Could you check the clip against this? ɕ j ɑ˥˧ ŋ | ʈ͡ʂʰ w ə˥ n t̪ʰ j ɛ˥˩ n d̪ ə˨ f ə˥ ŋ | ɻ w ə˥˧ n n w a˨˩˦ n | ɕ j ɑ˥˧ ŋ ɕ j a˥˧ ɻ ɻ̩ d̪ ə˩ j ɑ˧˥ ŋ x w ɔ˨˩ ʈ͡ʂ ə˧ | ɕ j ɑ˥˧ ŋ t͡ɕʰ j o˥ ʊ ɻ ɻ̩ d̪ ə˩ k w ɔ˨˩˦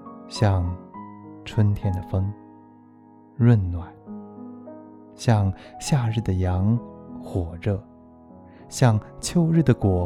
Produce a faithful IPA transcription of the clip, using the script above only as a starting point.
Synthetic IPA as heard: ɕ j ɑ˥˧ ŋ | ʈ͡ʂʰ w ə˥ n t̪ʰ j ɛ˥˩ n d̪ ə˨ f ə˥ ŋ | ɻ w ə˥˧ n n w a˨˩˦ n | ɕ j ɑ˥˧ ŋ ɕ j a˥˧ ɻ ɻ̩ d̪ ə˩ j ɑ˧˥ ŋ x w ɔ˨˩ ʈ͡ʂ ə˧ | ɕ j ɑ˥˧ ŋ t͡ɕʰ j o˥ ʊ ɻ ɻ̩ d̪ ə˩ k w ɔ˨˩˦